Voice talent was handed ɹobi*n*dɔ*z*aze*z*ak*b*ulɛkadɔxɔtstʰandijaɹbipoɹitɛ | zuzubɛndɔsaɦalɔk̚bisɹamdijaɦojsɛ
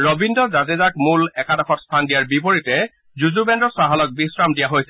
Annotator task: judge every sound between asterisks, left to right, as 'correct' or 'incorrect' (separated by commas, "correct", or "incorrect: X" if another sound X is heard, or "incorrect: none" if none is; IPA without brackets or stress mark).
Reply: correct, correct, correct, incorrect: m